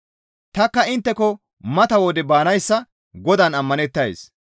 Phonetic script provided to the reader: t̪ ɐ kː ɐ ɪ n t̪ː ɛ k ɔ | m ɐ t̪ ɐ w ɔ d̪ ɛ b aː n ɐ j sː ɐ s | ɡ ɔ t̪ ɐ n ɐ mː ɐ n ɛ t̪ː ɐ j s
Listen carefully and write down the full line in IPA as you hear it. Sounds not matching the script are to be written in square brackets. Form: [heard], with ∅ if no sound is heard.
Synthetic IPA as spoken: t̪ ɐ kː ɐ ɪ n t̪ː ɛ k ɔ | m ɐ t̪ ɐ w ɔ d̪ ɛ b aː n ɐ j sː ɐ [∅] | ɡ ɔ [d̪] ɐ n ɐ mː ɐ n ɛ t̪ː ɐ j s